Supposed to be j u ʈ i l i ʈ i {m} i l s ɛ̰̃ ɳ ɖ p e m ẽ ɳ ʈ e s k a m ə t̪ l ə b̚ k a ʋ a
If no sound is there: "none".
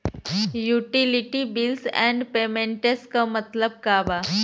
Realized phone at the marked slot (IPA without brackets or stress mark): b